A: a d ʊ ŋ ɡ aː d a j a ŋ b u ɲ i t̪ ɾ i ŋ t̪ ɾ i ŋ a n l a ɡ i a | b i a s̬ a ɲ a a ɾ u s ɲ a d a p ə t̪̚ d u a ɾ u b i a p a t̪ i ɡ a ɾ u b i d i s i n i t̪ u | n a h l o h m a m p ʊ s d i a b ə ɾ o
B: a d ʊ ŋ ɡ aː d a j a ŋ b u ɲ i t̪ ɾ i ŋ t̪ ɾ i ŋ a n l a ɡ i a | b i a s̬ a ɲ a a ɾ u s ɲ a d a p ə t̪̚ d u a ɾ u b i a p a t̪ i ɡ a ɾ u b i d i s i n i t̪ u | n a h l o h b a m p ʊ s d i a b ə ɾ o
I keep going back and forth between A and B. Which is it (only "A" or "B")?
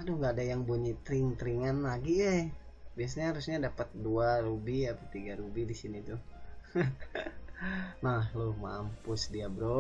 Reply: A